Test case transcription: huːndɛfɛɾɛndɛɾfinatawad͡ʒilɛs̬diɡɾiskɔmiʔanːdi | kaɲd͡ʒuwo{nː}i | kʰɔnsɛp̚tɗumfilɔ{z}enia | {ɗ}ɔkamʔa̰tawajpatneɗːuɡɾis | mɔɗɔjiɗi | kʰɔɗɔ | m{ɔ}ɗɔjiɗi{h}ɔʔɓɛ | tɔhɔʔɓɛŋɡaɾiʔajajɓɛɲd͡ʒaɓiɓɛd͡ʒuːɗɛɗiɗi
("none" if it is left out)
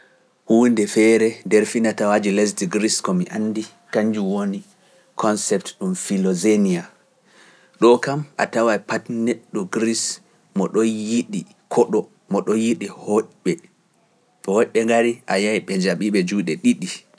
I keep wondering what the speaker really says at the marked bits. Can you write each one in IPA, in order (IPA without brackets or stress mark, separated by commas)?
n, z, ɗ, ɔ, h